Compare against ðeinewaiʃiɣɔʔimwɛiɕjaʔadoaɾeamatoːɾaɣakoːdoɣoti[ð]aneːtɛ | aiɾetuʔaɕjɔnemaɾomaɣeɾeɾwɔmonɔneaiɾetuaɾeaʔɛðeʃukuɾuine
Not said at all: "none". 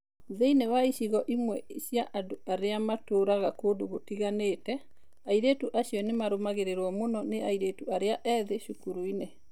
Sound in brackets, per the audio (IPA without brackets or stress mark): ɣ